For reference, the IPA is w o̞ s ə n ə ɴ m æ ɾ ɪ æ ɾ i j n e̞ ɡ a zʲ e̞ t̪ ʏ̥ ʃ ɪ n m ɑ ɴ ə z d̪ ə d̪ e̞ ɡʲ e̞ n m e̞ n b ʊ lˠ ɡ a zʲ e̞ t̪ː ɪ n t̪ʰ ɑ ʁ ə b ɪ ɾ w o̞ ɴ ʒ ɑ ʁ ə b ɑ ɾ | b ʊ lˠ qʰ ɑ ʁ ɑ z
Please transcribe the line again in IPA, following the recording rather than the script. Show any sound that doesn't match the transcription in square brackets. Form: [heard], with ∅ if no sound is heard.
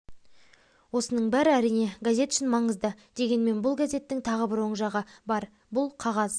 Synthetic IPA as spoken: w o̞ s ə n ə ɴ [b] æ ɾ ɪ æ ɾ i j n e̞ ɡ a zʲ e̞ t̪ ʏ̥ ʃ ɪ n m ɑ ɴ ə z d̪ ə d̪ e̞ ɡʲ e̞ n m e̞ n b ʊ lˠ ɡ a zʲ e̞ t̪ː ɪ [ŋ] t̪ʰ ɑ ʁ ə b ɪ ɾ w o̞ ɴ ʒ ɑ ʁ ə b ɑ ɾ | b ʊ lˠ qʰ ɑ ʁ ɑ z

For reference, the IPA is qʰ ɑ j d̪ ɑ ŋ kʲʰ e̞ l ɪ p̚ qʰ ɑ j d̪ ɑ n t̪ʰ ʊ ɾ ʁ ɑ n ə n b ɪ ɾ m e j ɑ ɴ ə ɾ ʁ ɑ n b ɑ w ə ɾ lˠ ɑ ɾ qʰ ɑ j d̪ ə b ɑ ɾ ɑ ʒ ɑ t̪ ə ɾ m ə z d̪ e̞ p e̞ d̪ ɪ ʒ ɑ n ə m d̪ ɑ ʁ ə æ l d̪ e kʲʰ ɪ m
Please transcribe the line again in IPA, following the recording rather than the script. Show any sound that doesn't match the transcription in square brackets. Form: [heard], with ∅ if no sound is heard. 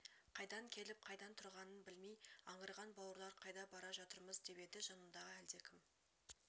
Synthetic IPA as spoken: qʰ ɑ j d̪ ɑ ŋ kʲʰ e̞ l ɪ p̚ qʰ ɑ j d̪ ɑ n t̪ʰ ʊ ɾ ʁ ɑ n ə n b ɪ [l] m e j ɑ ɴ ə ɾ ʁ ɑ n b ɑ w ə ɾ lˠ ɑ ɾ qʰ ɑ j d̪ [ɑ] b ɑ ɾ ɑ ʒ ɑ t̪ ə ɾ m ə z d̪ e̞ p e̞ d̪ ɪ ʒ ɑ n ə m d̪ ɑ ʁ ə æ l d̪ e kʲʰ ɪ m

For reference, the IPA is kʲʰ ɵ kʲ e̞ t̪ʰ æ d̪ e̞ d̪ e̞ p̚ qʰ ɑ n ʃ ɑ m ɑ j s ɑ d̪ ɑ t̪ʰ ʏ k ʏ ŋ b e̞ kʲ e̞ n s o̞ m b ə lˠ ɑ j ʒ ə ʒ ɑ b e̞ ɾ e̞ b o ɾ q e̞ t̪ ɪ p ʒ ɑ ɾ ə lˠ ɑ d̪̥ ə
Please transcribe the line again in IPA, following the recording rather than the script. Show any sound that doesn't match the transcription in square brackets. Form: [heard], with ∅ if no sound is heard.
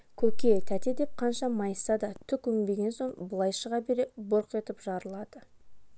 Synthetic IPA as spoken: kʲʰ ɵ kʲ e̞ t̪ʰ æ [t̪] e̞ d̪ e̞ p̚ qʰ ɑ n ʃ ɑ m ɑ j s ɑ d̪ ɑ t̪ʰ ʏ k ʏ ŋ b e̞ [ɡʲ] e̞ n s o̞ [ɴ] b ə lˠ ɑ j [ʃ] ə [ʁ] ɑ b e̞ ɾ e̞ b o ɾ q e̞ t̪ ɪ p ʒ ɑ ɾ ə lˠ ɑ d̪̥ ə

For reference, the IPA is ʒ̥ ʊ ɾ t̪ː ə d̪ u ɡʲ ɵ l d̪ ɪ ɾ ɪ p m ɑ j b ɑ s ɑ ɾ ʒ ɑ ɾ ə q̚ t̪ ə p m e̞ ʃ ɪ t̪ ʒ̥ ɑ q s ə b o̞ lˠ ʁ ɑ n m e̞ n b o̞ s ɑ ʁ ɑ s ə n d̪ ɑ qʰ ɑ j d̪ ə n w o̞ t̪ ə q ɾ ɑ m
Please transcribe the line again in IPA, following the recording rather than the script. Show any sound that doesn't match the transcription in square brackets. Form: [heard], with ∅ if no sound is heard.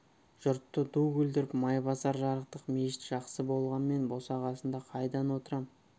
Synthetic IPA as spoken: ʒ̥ ʊ ɾ t̪ː ə d̪ u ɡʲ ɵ l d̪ ɪ ɾ ɪ p m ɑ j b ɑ s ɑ ɾ ʒ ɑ ɾ ə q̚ t̪ ə [q] m e̞ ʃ ɪ t̪ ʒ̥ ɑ q s ə b o̞ lˠ ʁ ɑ n m e̞ n b o̞ s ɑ ʁ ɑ s ə n d̪ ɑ qʰ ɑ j d̪ [ɑ] n w o̞ t̪ ə [∅] ɾ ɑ m

